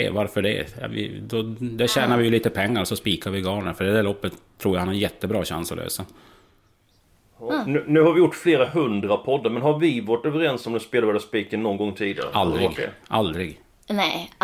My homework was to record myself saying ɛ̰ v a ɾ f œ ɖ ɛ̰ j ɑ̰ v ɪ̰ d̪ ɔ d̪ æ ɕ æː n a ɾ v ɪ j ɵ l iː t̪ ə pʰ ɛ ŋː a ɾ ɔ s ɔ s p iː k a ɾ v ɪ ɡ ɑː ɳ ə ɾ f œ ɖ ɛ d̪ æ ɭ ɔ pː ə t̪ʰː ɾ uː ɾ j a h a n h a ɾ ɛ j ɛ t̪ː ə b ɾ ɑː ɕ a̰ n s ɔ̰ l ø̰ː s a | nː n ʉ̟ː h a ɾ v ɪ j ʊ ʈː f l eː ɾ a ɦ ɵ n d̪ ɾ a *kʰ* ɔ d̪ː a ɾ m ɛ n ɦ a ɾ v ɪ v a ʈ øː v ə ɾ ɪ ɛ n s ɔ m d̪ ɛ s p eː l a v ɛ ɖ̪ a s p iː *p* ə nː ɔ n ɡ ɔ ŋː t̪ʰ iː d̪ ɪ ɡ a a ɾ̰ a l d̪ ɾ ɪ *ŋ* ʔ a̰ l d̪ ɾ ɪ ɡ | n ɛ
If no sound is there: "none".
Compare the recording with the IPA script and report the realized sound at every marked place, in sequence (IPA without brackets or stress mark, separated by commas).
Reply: pʰ, k, ɡ